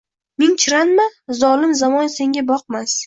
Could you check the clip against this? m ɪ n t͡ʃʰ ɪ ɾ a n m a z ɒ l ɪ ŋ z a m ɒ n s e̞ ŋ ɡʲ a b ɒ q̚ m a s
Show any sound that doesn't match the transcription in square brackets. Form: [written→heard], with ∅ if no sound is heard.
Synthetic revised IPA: m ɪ [n→ŋ] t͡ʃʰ ɪ ɾ a n m a z ɒ l ɪ [ŋ→m] z a m ɒ n s e̞ ŋ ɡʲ a b ɒ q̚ m a s